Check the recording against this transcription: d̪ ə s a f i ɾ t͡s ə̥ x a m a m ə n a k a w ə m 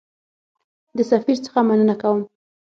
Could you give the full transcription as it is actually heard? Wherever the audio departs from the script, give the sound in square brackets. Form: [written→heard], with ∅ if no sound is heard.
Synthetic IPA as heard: d̪ ə s a f i ɾ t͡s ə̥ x a m a [m→n] ə n a k a w ə m